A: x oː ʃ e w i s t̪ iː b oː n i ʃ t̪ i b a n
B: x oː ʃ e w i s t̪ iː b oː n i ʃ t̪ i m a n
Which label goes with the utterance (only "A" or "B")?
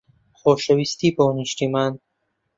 B